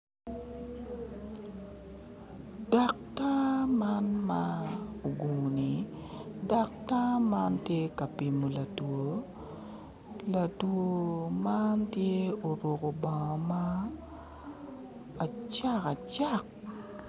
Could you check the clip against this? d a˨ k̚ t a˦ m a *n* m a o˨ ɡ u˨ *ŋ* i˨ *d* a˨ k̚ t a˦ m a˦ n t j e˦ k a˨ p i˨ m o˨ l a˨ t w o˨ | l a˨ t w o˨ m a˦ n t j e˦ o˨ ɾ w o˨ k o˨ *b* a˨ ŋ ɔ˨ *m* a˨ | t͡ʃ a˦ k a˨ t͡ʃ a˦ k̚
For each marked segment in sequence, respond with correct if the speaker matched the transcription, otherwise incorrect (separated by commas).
correct, incorrect, correct, correct, correct